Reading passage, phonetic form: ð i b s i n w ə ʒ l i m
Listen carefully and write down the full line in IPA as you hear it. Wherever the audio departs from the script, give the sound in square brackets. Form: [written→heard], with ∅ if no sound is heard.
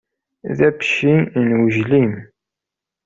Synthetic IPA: ð [i→æ] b [s→ʃ] i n w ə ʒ l i m

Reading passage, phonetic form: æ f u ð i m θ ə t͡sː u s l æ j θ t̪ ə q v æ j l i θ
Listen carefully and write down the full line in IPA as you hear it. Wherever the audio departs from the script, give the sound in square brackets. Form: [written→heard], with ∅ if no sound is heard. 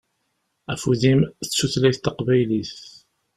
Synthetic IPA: æ f u ð i m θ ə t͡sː u [s→θ] l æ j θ t̪ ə q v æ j l i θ

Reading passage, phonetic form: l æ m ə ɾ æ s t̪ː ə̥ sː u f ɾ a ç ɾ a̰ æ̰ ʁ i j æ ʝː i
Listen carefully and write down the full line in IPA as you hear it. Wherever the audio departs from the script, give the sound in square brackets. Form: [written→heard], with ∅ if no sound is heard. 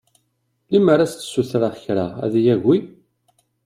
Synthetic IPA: l [æ→i] m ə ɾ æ s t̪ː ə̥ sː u [f→θ] ɾ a ç ɾ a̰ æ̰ [ʁ→ð] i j æ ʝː i

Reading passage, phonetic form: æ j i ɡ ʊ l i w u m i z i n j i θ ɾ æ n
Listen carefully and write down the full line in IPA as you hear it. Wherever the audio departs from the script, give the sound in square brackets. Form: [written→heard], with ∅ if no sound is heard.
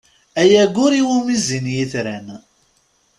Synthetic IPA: æ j [i→æ] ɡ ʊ [l→ɾ] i w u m i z i n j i θ ɾ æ n

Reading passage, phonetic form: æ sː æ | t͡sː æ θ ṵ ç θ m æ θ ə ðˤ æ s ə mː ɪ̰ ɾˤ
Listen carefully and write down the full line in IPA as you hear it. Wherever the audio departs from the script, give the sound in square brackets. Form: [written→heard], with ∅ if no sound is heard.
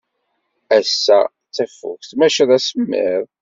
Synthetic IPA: æ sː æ | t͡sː æ [θ→f] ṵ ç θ m æ [θ→ʃ] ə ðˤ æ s ə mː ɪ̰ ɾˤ

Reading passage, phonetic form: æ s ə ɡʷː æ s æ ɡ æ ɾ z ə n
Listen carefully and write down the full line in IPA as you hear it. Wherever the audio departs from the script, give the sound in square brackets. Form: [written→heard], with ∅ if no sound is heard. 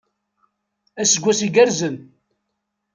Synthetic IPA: æ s ə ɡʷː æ s [æ→i] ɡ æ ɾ z ə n

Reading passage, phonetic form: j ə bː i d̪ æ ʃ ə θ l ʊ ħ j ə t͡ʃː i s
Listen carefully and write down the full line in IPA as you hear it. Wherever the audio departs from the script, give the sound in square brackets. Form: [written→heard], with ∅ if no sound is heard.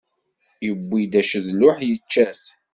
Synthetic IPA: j ə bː i d̪ æ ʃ ə [θ→ð] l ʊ ħ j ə t͡ʃː [i→æ] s

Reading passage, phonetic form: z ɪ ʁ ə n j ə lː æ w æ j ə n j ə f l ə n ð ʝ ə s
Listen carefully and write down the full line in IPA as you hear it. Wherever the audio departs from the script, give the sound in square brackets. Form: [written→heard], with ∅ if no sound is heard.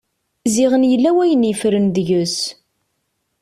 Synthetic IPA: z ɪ ʁ ə n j ə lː æ w æ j ə n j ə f [l→ɾ] ə n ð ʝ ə s

